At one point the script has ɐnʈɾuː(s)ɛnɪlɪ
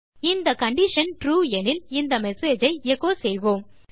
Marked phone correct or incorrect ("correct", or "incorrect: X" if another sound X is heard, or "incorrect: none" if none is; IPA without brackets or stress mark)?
incorrect: none